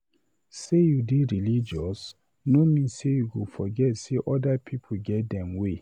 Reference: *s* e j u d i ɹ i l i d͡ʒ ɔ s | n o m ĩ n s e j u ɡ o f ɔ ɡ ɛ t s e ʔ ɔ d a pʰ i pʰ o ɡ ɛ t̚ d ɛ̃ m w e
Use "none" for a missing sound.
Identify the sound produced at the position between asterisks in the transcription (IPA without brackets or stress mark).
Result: s